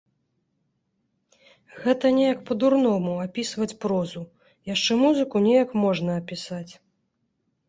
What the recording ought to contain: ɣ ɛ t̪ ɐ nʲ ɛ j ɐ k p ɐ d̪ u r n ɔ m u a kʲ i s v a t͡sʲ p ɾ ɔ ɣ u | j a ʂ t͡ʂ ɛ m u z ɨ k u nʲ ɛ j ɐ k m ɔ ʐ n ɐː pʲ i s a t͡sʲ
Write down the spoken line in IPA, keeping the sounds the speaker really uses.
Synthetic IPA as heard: ɣ ɛ t̪ ɐ nʲ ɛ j ɐ k p ɐ d̪ u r n ɔ m u a pʲ i s v ɐ t͡sʲ p ɾ ɔ z u | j a ʂ t͡ʂ ɛ m u z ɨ k u nʲ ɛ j ɐ k m ɔ ʐ n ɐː pʲ i s a t͡sʲ